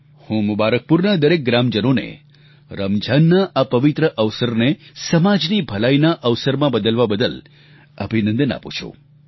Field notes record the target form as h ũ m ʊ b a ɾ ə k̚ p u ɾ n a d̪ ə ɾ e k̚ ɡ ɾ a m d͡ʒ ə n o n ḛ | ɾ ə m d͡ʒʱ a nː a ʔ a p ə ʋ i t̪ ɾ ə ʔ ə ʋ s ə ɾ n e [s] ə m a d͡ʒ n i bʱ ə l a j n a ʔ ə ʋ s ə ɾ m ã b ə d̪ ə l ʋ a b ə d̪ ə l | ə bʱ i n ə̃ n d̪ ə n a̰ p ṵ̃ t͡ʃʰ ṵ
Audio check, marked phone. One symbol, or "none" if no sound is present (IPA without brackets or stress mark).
s